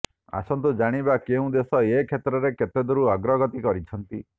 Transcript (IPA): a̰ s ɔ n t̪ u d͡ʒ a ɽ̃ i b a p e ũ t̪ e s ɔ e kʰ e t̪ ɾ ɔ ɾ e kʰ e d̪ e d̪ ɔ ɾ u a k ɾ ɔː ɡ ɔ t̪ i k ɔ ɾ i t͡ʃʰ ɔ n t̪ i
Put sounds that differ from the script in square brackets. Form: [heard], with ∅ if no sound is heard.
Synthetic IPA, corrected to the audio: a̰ s ɔ n t̪ u d͡ʒ a ɽ̃ i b a [k] e ũ [d̪] e s ɔ e kʰ e t̪ ɾ ɔ ɾ e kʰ e [t̪] e d̪ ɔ ɾ u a [ɡ] ɾ [ɔ] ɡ ɔ t̪ i k ɔ ɾ i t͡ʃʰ ɔ n t̪ i